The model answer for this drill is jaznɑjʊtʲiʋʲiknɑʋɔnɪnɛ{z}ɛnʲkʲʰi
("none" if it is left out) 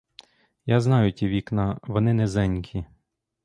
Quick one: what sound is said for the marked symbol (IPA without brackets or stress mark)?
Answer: z